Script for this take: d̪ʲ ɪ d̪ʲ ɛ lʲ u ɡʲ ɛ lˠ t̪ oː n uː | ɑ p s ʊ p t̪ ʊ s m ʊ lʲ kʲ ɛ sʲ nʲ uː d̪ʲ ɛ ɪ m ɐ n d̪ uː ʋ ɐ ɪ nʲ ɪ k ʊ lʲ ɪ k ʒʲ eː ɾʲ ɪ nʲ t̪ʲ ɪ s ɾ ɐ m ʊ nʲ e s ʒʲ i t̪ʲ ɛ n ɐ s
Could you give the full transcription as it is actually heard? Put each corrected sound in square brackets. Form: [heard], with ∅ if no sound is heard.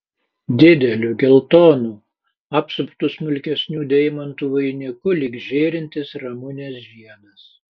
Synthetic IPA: d̪ʲ ɪ d̪ʲ ɛ lʲ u ɡʲ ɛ lˠ t̪ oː n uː | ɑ p s ʊ p t̪ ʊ s m ʊ lʲ kʲ ɛ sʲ nʲ uː d̪ʲ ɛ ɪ m ɐ n [t̪] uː ʋ ɐ ɪ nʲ ɪ k ʊ lʲ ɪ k ʒʲ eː ɾʲ ɪ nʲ t̪ʲ ɪ s ɾ ɐ m ʊ nʲ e s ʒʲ i [∅] ɛ n ɐ s